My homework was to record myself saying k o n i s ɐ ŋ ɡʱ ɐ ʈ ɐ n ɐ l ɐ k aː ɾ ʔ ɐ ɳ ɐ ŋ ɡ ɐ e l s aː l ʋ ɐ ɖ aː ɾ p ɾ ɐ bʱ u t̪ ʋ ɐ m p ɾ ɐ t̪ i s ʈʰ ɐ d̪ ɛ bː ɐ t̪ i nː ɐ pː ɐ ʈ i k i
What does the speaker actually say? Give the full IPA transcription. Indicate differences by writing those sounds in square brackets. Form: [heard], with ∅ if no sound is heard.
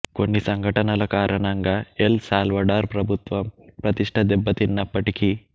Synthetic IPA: k o [nː] i s ɐ ŋ ɡʱ ɐ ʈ ɐ n ɐ l ɐ k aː ɾ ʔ ɐ ɳ ɐ ŋ ɡ ɐ e l s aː l ʋ ɐ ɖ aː ɾ p ɾ ɐ bʱ u t̪ ʋ ɐ m p ɾ ɐ t̪ i [ʂ] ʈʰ ɐ d̪ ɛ bː ɐ t̪ i nː ɐ pː ɐ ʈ i k i